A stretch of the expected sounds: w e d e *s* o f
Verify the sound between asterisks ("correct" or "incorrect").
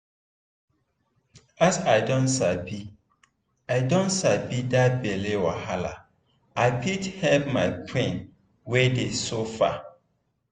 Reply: correct